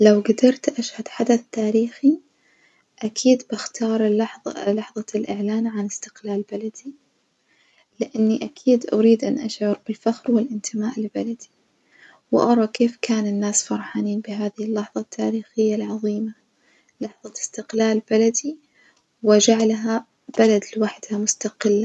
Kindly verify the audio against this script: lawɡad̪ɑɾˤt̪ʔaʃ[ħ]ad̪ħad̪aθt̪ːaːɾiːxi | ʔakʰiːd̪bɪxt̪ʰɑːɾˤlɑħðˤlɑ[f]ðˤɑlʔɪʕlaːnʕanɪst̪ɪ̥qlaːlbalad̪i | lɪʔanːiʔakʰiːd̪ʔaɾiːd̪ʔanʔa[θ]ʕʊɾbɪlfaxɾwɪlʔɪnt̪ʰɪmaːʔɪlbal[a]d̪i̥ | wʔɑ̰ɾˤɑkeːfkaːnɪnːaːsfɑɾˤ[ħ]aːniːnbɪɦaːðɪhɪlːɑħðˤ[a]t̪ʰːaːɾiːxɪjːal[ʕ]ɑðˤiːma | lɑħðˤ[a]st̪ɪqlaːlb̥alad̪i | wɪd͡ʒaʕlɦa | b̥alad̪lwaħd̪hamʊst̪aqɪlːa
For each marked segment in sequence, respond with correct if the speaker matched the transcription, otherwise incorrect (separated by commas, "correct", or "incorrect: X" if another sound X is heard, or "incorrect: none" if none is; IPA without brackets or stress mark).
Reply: incorrect: h, incorrect: ħ, incorrect: ʃ, correct, correct, incorrect: ɑ, correct, incorrect: ɑ